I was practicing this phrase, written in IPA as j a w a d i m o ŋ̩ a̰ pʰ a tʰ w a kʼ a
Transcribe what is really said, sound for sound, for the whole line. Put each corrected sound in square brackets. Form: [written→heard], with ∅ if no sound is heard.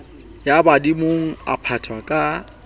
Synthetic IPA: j a [w→b] a d i m o ŋ̩ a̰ pʰ a tʰ w a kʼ a